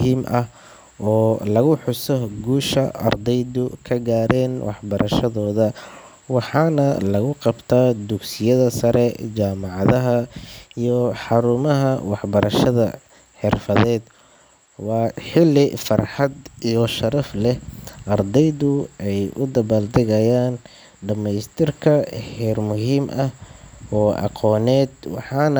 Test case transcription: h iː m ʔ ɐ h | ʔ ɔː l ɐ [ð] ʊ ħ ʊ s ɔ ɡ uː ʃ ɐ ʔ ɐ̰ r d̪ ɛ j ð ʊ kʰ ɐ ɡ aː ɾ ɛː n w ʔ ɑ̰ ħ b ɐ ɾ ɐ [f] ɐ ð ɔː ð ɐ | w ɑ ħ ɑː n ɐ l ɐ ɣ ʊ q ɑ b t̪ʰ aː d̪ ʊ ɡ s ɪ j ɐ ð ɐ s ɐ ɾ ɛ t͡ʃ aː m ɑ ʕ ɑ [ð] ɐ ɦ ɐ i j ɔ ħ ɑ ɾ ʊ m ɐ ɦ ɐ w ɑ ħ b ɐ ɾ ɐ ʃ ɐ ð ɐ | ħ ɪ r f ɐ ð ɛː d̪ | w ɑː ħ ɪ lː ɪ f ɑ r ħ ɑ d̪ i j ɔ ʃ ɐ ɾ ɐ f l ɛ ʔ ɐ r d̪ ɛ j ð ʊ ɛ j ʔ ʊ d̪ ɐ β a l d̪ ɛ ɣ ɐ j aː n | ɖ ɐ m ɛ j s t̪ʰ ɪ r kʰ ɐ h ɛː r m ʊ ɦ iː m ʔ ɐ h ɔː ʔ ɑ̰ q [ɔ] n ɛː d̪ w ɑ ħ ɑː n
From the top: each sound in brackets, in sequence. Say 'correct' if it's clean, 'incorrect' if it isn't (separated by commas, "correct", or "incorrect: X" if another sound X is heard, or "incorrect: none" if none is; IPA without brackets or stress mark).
incorrect: ɣ, incorrect: ʃ, correct, incorrect: ɔː